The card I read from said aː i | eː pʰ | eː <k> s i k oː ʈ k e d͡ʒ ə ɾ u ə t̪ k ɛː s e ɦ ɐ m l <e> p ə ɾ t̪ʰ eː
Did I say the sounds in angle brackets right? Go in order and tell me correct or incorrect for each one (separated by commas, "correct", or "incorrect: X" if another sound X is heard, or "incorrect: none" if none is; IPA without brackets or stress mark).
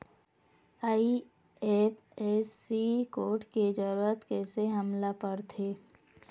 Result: incorrect: none, incorrect: a